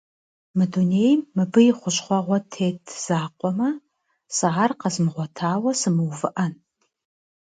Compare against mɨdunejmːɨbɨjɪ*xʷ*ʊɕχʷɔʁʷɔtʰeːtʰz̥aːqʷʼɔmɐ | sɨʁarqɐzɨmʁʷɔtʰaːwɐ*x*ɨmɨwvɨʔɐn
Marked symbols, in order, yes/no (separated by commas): no, no